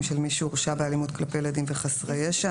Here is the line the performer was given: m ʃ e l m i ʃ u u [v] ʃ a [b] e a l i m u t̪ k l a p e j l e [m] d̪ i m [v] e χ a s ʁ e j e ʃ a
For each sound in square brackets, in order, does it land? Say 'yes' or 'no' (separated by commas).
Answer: no, yes, no, yes